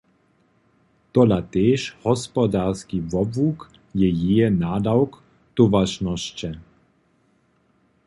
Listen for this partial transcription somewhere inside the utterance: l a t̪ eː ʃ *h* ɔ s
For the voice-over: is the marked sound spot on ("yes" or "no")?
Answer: yes